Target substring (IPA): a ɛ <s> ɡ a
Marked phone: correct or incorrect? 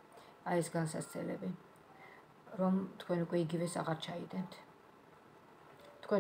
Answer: correct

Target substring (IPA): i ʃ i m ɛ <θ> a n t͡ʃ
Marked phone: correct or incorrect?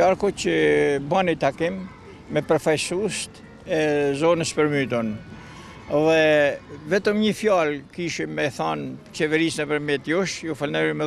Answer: correct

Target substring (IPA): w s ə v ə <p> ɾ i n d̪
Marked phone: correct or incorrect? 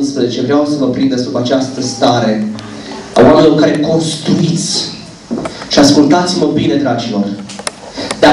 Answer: correct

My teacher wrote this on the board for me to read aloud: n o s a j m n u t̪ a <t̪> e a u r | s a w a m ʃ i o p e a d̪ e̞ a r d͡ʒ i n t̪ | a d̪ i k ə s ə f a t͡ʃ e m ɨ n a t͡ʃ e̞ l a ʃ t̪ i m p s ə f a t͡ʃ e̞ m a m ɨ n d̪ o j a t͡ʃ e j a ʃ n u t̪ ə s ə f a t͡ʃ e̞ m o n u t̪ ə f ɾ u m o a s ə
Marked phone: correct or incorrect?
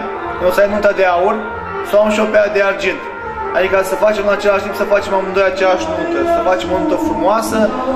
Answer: incorrect: d̪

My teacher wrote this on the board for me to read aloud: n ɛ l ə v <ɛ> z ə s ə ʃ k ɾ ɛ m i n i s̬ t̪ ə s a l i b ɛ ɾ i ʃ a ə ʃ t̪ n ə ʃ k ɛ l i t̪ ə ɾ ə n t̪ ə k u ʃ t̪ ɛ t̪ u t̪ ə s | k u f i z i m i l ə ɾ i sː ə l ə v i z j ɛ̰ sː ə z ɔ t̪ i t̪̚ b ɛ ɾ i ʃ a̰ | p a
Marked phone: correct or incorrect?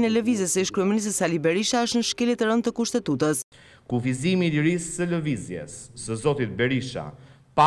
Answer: incorrect: i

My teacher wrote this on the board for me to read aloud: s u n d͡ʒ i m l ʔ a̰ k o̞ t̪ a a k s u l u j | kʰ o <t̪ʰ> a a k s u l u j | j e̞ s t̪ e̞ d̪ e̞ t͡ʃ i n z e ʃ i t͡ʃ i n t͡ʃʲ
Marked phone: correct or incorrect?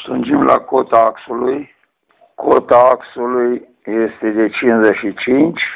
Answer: incorrect: t̪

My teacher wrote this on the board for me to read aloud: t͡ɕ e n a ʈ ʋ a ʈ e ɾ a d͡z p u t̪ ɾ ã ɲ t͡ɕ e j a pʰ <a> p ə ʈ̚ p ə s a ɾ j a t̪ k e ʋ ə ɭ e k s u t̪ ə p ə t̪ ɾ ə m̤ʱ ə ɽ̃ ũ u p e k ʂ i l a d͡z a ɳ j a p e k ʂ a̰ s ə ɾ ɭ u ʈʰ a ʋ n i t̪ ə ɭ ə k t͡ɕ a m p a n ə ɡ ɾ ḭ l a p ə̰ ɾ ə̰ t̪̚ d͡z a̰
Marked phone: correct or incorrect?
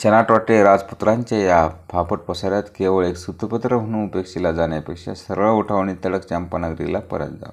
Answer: correct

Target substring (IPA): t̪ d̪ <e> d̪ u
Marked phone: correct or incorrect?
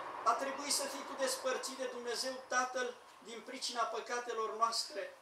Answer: correct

